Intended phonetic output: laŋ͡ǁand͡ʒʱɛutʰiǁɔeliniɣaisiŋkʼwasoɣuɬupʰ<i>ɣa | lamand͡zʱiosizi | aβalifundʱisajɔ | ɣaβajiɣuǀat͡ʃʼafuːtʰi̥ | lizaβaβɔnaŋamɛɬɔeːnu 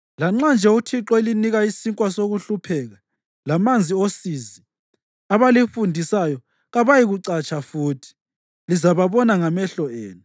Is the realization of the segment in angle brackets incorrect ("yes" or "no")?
yes